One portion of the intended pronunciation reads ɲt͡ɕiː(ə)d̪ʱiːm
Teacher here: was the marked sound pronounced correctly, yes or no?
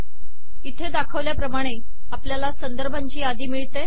no